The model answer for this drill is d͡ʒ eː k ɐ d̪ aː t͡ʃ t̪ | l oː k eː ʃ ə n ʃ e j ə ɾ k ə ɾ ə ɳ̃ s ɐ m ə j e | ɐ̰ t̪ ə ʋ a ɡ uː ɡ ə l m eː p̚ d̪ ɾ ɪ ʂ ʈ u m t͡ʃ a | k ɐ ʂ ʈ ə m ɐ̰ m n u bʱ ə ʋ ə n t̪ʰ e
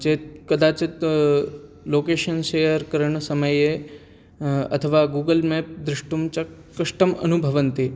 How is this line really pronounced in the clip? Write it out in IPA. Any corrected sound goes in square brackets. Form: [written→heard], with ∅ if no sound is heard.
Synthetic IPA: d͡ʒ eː k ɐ d̪ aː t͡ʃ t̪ | l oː k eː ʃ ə n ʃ e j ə ɾ k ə ɾ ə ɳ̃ s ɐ m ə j e | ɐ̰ [t̪→t̪ʰ] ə ʋ a ɡ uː ɡ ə l m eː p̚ d̪ ɾ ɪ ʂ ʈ u m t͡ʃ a | k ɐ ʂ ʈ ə m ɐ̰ [m→∅] n u bʱ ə ʋ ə n [t̪ʰ→t̪] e